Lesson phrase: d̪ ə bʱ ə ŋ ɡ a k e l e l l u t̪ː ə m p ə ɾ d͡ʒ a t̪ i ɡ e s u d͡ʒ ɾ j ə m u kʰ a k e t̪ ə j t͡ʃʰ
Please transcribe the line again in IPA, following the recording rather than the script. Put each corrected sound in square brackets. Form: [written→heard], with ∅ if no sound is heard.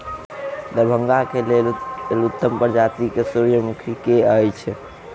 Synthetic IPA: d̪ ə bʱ ə ŋ ɡ a k e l e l l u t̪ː ə m p ə ɾ d͡ʒ a t̪ i [ɡ→k] e s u [d͡ʒ→∅] ɾ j ə m u kʰ [a→i] k e [t̪→∅] ə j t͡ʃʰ